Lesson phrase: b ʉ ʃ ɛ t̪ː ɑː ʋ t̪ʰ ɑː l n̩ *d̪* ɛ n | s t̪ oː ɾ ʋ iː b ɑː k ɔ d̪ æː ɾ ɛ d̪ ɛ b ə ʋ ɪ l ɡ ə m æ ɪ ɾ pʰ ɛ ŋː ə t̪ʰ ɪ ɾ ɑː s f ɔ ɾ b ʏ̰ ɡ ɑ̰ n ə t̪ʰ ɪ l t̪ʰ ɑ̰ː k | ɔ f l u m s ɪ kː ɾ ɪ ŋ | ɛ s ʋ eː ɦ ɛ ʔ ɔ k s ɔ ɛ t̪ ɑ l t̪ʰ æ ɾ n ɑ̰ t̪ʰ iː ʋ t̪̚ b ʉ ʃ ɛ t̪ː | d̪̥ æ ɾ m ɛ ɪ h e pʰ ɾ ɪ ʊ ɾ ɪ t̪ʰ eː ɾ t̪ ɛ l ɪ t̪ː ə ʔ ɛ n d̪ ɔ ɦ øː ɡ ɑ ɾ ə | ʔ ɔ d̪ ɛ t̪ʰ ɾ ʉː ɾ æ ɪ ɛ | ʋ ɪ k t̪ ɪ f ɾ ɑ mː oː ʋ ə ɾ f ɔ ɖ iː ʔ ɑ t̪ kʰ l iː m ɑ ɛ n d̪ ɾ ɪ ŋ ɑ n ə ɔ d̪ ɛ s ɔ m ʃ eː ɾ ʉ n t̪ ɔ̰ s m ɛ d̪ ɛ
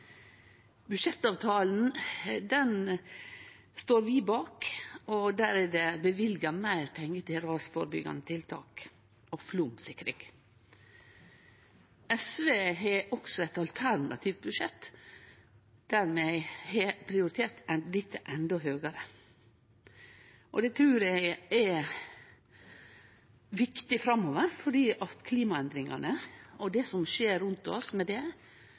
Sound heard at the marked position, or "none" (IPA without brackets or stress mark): d̪